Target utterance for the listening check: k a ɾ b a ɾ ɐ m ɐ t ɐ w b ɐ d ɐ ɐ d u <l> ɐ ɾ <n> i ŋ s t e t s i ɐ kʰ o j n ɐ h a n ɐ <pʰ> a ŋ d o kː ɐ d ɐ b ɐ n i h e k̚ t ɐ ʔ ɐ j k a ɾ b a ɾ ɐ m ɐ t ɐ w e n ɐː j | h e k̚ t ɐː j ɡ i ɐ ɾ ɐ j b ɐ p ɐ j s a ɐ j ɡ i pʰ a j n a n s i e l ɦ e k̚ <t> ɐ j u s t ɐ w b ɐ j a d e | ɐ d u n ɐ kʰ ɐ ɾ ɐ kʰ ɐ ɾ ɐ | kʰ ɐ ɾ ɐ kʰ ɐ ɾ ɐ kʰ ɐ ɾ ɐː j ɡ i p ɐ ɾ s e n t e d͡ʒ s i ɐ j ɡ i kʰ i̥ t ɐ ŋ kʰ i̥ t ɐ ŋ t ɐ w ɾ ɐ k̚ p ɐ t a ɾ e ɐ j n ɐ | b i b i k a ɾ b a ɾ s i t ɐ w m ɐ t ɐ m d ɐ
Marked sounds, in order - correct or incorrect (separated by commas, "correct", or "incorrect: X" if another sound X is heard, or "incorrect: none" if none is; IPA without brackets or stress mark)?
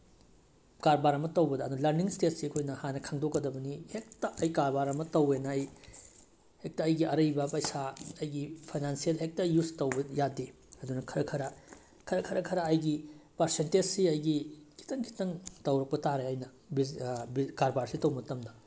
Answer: correct, correct, incorrect: kʰ, correct